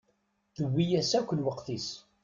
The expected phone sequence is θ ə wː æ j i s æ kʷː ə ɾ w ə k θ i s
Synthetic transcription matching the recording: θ ə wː i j æ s æ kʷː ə l w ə q θ i s